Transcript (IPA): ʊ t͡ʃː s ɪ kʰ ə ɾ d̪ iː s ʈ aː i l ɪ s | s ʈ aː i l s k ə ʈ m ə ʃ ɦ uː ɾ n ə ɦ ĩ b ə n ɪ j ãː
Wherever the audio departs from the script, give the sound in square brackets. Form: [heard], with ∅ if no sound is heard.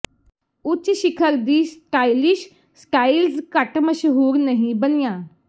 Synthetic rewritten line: ʊ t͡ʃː [ʃ] ɪ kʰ ə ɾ d̪ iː s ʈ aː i l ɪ [ʃ] | s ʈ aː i l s k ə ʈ m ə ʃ ɦ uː ɾ n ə ɦ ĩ b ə n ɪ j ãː